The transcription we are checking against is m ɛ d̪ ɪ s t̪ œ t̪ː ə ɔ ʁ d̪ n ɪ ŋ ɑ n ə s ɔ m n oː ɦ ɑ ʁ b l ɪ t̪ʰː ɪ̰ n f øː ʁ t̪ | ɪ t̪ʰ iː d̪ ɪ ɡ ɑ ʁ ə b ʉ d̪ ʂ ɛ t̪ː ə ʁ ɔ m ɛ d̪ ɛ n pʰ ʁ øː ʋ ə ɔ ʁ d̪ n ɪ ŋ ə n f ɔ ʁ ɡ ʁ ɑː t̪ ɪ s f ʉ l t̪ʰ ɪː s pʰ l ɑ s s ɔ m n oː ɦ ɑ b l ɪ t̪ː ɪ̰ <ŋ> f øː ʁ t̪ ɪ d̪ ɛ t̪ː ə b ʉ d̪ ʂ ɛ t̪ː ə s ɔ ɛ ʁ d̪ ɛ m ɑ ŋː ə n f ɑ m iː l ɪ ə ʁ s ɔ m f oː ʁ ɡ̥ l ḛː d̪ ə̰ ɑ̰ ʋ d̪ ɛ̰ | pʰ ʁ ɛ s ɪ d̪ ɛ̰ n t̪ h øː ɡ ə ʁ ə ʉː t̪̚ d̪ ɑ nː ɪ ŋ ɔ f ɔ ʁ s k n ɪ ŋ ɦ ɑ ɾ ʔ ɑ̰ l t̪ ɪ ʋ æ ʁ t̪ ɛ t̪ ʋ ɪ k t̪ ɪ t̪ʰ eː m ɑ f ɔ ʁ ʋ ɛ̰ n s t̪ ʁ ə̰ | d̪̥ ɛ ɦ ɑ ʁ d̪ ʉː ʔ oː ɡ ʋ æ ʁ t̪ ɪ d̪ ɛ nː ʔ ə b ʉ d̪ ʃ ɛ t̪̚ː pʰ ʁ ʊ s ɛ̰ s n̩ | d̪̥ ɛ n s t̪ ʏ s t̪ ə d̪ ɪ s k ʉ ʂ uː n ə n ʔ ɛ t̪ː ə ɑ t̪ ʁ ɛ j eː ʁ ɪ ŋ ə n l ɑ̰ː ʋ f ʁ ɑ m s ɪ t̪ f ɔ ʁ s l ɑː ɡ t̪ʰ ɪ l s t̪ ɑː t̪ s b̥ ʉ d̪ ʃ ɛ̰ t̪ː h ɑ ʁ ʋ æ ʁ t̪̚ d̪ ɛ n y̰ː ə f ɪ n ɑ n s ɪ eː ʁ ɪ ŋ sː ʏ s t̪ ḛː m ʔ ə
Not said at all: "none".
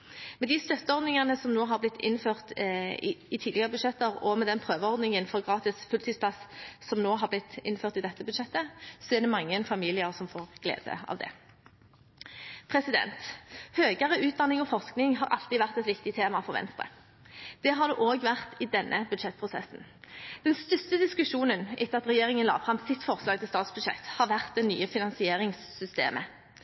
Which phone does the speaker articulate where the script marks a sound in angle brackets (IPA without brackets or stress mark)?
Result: n